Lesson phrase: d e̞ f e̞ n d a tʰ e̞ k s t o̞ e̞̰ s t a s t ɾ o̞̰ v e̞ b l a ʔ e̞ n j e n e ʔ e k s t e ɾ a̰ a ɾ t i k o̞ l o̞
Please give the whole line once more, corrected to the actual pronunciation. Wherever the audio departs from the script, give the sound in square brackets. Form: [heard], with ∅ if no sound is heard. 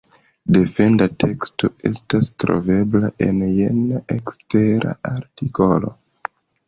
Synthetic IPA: d e̞ f e̞ n d a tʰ e̞ k s t o̞ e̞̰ s t a s t ɾ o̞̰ v e̞ b l a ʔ e̞ n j e n [a] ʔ e k s t e ɾ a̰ a ɾ t i k o̞ l o̞